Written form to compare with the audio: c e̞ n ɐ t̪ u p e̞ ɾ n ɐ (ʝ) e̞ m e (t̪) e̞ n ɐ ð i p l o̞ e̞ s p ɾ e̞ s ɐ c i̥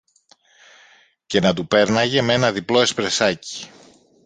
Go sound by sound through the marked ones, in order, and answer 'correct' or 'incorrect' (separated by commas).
correct, incorrect